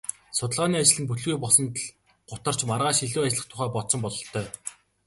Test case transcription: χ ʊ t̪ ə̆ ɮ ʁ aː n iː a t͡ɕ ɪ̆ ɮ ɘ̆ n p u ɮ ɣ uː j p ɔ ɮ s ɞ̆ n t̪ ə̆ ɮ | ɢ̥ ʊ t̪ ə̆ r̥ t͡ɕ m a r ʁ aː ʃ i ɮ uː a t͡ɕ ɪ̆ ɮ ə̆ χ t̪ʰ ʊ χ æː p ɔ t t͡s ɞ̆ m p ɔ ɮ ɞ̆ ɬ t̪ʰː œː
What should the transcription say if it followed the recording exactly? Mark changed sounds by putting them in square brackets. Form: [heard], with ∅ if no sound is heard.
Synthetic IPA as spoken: [s] ʊ t̪ ə̆ ɮ ʁ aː n iː a t͡ɕ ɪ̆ ɮ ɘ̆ n p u ɮ ɣ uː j p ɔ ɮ s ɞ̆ n t̪ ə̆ ɮ | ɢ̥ ʊ t̪ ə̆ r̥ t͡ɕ m a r ʁ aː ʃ i ɮ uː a t͡ɕ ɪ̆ ɮ ə̆ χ t̪ʰ ʊ χ æː p ɔ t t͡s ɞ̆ m p ɔ ɮ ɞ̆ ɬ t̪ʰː œː